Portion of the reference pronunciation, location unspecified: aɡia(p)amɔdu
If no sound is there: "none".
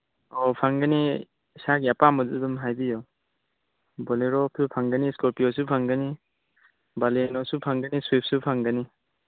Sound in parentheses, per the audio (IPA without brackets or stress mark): p